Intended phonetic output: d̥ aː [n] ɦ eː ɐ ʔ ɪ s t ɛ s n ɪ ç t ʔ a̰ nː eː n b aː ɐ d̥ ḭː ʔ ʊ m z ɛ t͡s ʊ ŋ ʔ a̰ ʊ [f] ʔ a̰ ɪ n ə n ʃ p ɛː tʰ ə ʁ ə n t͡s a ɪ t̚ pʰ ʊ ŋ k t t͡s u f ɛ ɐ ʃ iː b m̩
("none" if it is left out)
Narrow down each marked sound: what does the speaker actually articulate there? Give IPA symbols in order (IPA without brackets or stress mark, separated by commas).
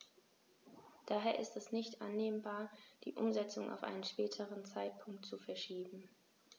none, f